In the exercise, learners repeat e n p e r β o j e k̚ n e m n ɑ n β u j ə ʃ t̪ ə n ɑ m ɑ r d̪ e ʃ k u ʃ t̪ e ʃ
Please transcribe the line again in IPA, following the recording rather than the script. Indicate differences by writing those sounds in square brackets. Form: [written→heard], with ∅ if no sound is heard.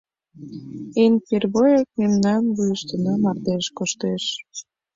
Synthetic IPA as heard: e n p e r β o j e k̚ [n→m] e m n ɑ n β u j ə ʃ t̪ ə n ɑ m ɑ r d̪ e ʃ k [u→o] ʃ t̪ e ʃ